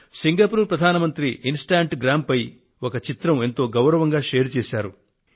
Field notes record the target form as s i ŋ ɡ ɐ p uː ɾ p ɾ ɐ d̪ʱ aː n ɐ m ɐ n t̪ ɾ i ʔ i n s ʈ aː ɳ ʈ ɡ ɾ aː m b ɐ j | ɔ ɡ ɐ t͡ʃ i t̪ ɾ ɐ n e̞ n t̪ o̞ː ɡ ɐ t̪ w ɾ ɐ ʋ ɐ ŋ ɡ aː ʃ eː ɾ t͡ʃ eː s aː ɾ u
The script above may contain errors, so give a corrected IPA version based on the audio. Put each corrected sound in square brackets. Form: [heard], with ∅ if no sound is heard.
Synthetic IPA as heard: s i ŋ ɡ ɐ p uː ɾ p ɾ ɐ d̪ʱ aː n ɐ m ɐ n t̪ ɾ i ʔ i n s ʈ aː ɳ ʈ ɡ ɾ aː m [p] ɐ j | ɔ [k] ɐ t͡ʃ i t̪ ɾ ɐ [m] e̞ n t̪ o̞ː ɡ ɐ [∅] w ɾ ɐ ʋ ɐ ŋ ɡ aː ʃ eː ɾ t͡ʃ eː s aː ɾ u